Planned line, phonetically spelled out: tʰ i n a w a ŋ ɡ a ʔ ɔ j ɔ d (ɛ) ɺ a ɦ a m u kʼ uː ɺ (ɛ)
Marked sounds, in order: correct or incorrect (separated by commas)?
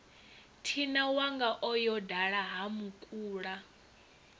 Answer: incorrect, incorrect